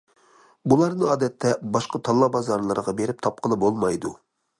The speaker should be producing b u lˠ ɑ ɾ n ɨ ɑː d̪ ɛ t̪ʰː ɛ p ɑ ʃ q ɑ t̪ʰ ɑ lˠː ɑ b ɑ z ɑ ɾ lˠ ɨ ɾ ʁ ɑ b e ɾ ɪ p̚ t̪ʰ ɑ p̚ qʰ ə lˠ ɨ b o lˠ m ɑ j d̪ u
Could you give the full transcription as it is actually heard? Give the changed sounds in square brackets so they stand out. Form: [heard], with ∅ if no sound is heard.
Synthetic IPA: b u lˠ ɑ ɾ n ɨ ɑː d̪ ɛ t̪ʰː ɛ [b] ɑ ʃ q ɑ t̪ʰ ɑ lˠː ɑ b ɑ z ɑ ɾ lˠ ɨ ɾ ʁ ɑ b e ɾ ɪ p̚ t̪ʰ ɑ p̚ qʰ ə lˠ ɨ b o lˠ m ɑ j d̪ u